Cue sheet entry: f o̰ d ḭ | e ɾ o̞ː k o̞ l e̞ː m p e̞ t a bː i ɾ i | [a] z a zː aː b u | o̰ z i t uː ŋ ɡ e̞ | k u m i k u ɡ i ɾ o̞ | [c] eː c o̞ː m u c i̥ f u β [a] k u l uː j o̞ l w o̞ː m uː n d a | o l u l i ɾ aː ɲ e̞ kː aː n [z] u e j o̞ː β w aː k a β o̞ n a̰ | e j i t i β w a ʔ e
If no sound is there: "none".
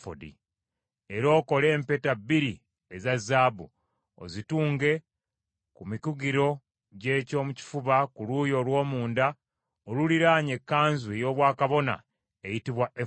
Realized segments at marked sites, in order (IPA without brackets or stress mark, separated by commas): e, ɟ, a, z